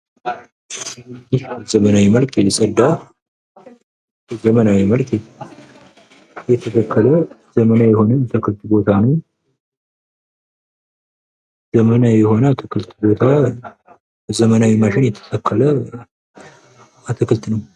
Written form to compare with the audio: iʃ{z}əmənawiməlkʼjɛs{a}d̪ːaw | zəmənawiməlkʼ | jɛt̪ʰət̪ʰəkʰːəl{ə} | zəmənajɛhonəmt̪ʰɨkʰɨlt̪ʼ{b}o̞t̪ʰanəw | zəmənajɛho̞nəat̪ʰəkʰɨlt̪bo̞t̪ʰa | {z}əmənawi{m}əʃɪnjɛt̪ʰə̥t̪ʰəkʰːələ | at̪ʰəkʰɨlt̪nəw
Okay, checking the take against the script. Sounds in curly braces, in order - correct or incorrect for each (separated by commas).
correct, incorrect, correct, correct, correct, correct